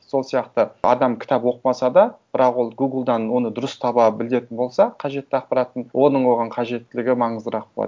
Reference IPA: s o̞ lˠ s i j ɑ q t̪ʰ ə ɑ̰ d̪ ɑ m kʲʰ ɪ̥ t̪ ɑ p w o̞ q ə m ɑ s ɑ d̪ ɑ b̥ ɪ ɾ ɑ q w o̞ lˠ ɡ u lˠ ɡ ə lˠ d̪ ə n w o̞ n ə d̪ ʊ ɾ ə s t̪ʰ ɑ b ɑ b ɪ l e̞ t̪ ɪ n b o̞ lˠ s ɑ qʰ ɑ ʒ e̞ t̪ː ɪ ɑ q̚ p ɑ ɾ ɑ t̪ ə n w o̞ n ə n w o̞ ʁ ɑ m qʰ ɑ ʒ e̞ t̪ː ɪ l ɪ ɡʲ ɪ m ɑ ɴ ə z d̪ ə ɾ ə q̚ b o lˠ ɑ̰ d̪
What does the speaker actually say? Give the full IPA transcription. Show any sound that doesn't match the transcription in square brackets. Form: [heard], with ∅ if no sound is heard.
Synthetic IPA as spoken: s o̞ lˠ s i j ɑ q [t̪] ə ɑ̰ d̪ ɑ m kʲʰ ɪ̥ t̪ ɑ p w o̞ q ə m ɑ s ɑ d̪ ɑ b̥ ɪ ɾ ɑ q w o̞ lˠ ɡ u [∅] ɡ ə lˠ d̪ [ɑ] n w o̞ n ə d̪ ʊ ɾ ə s t̪ʰ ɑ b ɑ b ɪ l e̞ t̪ ɪ n b o̞ lˠ s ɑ qʰ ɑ ʒ e̞ t̪ː ɪ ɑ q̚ p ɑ ɾ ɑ t̪ ə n w o̞ n ə [ɴ] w o̞ ʁ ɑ [ɴ] qʰ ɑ ʒ e̞ t̪ː ɪ l ɪ ɡʲ ɪ m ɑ ɴ ə z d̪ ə ɾ [ɑ] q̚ b o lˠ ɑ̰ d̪